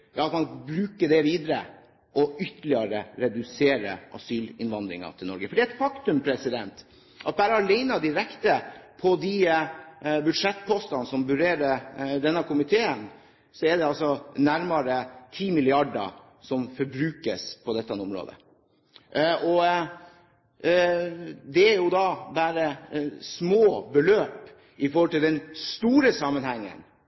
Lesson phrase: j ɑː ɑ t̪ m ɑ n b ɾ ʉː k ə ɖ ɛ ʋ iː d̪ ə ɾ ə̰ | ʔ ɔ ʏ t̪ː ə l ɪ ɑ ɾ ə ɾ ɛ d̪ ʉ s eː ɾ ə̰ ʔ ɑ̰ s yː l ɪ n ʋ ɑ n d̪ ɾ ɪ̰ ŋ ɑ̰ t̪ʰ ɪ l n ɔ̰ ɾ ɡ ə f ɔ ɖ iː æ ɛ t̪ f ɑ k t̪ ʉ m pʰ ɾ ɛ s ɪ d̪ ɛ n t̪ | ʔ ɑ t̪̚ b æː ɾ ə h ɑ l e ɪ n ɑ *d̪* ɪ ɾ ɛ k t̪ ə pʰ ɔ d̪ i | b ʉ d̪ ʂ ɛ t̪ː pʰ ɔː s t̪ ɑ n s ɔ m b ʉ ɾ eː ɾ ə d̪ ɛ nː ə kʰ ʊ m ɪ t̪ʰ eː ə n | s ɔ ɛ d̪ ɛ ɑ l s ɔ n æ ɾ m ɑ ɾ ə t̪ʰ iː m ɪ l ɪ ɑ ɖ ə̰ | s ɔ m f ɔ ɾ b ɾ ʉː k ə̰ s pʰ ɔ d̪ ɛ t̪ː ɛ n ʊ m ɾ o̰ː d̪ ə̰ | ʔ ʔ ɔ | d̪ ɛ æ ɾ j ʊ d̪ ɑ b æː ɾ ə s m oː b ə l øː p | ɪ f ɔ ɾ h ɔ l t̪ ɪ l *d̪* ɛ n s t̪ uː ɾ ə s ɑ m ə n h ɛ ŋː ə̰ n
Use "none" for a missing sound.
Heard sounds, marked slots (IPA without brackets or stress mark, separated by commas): d̪, d̪